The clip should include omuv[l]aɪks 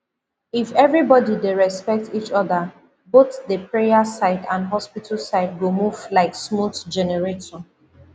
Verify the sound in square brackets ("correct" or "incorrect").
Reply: correct